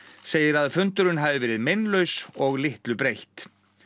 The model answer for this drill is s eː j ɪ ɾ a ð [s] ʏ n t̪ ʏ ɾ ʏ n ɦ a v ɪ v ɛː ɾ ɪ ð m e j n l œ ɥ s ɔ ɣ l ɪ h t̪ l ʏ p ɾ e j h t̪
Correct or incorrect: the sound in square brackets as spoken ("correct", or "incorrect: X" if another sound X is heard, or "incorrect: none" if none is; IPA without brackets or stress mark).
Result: incorrect: f